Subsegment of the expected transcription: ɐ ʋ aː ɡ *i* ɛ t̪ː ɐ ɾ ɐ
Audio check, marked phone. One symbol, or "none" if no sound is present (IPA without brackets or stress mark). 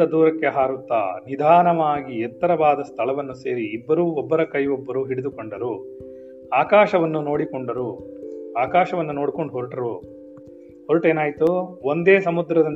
i